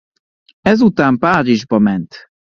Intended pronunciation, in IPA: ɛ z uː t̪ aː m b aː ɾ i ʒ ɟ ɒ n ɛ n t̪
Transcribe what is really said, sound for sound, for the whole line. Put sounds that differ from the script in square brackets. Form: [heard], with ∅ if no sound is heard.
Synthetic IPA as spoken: ɛ z [u] t̪ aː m [p] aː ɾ i ʒ [b] ɒ [m] ɛ n t̪

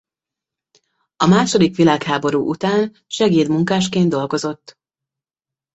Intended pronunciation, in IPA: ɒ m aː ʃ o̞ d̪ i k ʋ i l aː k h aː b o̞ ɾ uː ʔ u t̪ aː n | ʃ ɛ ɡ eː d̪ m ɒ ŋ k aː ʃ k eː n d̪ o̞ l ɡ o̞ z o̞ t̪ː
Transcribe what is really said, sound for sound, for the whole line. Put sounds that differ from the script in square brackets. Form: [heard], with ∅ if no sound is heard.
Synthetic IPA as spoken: ɒ m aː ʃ o̞ d̪ i k ʋ i l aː k h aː b o̞ ɾ uː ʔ u t̪ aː n | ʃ ɛ ɡ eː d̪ m [u] ŋ k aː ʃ k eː n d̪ o̞ l ɡ o̞ z o̞ t̪ː

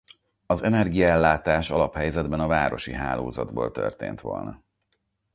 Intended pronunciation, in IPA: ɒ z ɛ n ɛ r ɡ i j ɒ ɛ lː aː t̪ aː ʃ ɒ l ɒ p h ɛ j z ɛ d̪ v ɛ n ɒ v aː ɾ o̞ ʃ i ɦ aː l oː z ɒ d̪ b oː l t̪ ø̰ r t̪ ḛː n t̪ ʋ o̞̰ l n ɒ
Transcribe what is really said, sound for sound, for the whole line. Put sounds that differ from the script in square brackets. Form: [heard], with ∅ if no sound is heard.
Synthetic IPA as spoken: ɒ z ɛ n ɛ r ɡ i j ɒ ɛ lː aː t̪ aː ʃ ɒ l ɒ p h ɛ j z ɛ d̪ [b] ɛ n ɒ v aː ɾ o̞ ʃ i ɦ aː l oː z ɒ d̪ b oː l t̪ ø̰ r t̪ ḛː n t̪ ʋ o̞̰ l n ɒ

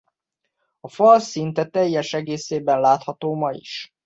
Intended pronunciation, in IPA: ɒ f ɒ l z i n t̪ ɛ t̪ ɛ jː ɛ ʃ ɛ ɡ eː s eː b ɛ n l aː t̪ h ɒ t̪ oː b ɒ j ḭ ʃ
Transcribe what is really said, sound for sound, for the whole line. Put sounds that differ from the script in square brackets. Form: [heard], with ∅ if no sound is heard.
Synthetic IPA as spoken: ɒ f ɒ l [s] i n t̪ ɛ t̪ ɛ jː ɛ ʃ ɛ ɡ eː s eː b ɛ n l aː t̪ h ɒ t̪ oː [m] ɒ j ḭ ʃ

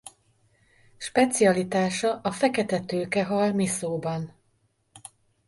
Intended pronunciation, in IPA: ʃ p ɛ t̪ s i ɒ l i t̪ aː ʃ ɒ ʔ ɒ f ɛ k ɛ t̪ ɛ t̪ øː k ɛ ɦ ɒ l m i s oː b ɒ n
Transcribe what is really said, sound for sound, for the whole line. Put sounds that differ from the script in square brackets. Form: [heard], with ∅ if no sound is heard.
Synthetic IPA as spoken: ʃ p ɛ t̪ s i ɒ l i t̪ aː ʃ ɒ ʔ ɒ f ɛ k ɛ t̪ ɛ t̪ øː k ɛ ɦ ɒ l m i s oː b ɒ n

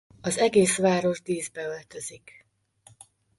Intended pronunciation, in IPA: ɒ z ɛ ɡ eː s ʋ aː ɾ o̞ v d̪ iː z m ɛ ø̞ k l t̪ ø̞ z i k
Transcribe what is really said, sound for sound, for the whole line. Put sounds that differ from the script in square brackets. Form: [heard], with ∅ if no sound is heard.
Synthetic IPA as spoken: ɒ z ɛ ɡ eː s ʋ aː ɾ o̞ [ʒ] d̪ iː z [b] ɛ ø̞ [∅] l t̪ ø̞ z i k

